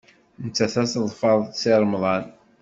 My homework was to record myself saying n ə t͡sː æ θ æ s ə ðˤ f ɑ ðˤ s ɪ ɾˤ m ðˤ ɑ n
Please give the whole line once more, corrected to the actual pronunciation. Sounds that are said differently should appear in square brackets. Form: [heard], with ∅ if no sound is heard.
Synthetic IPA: n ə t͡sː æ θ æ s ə ðˤ f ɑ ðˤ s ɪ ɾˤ m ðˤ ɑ n

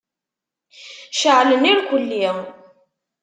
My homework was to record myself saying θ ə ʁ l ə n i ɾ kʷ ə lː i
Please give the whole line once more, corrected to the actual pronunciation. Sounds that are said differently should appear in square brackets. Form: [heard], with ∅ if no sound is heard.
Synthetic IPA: [ʃ] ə [ʕ] l ə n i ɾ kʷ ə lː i

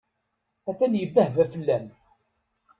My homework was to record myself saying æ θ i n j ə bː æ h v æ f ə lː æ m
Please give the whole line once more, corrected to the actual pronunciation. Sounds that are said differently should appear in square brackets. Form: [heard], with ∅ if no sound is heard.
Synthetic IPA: æ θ [æ] n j ə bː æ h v æ f ə lː æ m

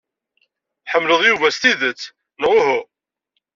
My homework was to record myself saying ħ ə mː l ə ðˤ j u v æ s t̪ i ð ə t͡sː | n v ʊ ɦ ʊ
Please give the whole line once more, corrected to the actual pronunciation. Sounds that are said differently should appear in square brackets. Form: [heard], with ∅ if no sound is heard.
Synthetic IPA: ħ ə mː l ə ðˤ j u v æ s t̪ i ð ə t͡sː | n [ʁ] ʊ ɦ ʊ

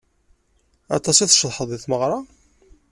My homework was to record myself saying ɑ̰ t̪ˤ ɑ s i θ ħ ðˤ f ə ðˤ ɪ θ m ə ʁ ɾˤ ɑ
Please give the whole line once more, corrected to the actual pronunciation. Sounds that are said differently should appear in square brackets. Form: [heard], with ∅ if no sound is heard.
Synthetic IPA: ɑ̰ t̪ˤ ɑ s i θ [ʃ] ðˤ [ħ] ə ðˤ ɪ θ m ə ʁ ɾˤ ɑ

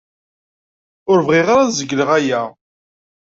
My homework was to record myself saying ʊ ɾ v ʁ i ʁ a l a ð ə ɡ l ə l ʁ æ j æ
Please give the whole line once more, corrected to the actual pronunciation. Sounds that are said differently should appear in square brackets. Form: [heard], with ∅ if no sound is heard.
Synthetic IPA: ʊ ɾ v ʁ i ʁ a [ɾ] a [z] ə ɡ l ə [∅] ʁ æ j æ

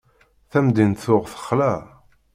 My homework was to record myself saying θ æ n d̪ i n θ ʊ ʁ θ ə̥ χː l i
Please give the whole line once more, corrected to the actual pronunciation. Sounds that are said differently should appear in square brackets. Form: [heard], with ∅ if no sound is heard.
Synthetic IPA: θ æ [m] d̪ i n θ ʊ ʁ θ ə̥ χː l [æ]

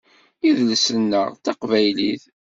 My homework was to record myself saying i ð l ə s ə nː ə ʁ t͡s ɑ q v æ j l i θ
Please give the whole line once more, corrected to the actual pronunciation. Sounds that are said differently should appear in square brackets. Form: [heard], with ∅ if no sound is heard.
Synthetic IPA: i ð l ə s ə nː ə ʁ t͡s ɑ q v æ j l i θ

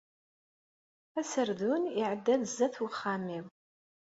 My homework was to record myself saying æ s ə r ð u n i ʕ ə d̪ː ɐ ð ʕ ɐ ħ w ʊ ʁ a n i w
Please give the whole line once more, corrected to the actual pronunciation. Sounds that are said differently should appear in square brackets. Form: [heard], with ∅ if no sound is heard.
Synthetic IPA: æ s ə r ð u n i ʕ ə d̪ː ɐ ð [z] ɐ [θ] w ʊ [χ] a [m] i w

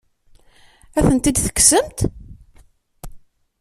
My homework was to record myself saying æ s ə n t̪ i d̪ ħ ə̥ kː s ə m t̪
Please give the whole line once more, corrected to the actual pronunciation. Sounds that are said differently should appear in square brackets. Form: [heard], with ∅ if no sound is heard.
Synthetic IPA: æ [θ] ə n t̪ i d̪ [θ] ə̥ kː s ə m t̪

